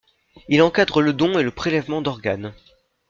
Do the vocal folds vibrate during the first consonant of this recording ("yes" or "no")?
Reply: yes